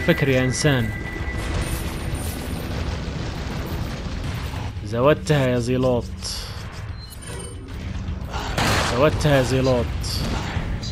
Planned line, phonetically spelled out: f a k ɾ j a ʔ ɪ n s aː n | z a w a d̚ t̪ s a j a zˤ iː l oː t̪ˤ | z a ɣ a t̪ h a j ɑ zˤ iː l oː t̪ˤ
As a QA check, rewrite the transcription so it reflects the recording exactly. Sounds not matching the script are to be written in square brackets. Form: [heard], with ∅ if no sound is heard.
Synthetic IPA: f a k ɾ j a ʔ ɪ n s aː n | z a w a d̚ t̪ [h] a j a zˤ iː l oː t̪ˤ | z a [w] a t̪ h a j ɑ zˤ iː l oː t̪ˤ